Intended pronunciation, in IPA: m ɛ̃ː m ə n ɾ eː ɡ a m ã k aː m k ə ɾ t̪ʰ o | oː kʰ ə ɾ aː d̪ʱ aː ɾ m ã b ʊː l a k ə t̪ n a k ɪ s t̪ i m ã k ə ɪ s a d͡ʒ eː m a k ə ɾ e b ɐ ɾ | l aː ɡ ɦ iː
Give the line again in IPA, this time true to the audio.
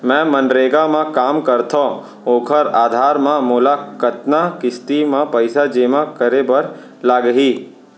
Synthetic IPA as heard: m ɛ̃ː m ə n ɾ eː ɡ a m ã k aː m k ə ɾ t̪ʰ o | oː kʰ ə ɾ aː d̪ʱ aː ɾ m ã m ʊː l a k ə t̪ n a k ɪ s t̪ i m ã p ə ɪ s a d͡ʒ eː m a k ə ɾ e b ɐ ɾ | l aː ɡ ɦ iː